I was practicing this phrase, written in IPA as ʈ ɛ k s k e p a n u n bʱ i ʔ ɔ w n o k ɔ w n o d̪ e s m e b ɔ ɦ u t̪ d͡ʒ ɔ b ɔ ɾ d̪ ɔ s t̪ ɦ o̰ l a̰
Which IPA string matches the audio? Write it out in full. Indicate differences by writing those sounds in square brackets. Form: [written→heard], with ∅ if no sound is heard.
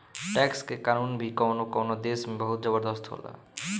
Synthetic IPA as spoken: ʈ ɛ k s k e [p→k] a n u n bʱ i [ʔ→k] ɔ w n o k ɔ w n o d̪ e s m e b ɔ ɦ u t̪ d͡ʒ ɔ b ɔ ɾ d̪ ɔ s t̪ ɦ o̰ l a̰